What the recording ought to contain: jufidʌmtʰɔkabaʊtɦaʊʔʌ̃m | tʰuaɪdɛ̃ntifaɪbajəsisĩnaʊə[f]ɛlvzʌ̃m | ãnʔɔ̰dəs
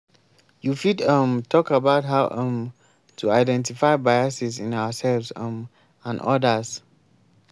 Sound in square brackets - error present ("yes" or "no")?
yes